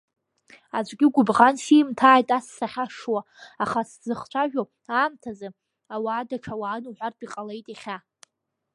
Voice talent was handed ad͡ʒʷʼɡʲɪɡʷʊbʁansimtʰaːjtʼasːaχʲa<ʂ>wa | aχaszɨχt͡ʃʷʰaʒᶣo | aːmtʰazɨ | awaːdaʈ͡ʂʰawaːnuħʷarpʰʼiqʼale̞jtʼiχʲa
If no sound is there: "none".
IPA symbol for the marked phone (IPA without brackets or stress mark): ʂ